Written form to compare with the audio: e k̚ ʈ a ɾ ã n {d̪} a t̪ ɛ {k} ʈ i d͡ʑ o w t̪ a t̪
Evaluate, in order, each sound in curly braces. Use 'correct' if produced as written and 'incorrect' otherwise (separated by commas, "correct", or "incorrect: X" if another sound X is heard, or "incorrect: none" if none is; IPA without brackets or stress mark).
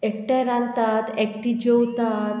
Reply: incorrect: t̪, correct